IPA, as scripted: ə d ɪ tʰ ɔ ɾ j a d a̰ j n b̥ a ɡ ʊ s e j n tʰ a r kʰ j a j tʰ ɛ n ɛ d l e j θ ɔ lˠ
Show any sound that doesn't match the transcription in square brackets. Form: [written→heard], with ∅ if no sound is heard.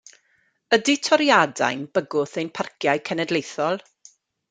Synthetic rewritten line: ə d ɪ tʰ ɔ ɾ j a d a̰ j n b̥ [a→ə] ɡ ʊ [s→θ] e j n [tʰ→pʰ] a r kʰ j a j [tʰ→kʰ] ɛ n ɛ d l e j θ ɔ lˠ